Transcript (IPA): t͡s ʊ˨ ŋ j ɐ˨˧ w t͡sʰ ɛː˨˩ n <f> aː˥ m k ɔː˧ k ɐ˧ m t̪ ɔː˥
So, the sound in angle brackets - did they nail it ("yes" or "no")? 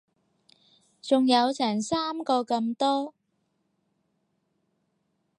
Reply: no